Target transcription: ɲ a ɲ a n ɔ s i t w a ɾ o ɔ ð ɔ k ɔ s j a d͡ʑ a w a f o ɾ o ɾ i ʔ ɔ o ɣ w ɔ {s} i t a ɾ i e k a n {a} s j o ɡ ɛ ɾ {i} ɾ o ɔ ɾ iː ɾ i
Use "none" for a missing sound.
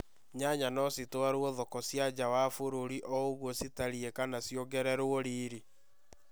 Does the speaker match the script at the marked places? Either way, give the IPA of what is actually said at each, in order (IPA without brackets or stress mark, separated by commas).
s, a, ɛ